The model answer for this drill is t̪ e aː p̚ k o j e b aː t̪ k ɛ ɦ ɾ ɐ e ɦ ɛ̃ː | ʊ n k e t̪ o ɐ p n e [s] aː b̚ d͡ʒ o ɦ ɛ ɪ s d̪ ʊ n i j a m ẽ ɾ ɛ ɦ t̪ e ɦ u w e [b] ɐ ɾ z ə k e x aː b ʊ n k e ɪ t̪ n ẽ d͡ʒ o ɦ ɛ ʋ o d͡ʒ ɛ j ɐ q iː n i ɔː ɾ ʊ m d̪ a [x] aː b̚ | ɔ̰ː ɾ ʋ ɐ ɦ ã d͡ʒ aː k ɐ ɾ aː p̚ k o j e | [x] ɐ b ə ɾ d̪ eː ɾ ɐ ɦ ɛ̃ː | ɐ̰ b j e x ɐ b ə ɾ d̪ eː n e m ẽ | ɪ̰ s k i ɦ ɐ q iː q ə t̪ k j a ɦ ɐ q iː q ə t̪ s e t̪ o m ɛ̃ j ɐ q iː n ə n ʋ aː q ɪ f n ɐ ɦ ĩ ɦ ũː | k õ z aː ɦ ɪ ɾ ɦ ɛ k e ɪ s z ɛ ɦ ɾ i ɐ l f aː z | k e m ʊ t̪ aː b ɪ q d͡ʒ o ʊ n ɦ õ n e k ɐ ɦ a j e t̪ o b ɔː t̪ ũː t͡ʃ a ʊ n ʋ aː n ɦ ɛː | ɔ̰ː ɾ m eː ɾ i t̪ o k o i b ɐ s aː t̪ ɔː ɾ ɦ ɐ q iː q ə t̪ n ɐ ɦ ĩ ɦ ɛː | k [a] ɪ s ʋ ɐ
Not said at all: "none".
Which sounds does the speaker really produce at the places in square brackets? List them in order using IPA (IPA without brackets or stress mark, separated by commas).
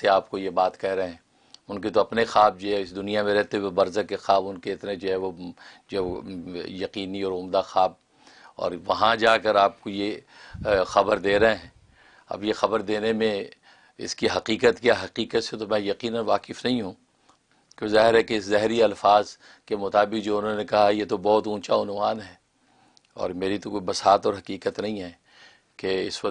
x, b, x, x, e